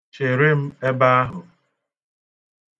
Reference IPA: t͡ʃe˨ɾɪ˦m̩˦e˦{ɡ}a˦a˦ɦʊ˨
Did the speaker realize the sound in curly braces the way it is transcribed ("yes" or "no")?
no